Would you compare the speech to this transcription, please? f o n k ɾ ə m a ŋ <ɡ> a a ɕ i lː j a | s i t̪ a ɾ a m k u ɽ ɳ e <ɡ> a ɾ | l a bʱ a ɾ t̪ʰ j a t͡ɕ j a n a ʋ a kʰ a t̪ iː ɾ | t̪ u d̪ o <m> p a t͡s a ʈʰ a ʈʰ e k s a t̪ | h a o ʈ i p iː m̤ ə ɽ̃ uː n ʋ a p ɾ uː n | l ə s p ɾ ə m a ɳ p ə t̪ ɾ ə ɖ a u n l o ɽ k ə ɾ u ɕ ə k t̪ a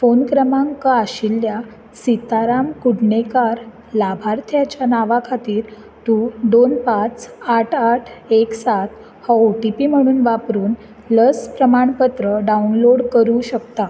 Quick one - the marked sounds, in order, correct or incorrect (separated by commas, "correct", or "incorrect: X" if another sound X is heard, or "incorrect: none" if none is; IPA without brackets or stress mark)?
incorrect: k, incorrect: k, incorrect: n